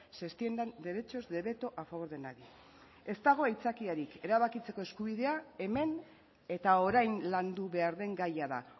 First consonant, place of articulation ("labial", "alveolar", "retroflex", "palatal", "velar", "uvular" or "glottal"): alveolar